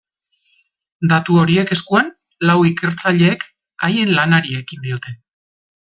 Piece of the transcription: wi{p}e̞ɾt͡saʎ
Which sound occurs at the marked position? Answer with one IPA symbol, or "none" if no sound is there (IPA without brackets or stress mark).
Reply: k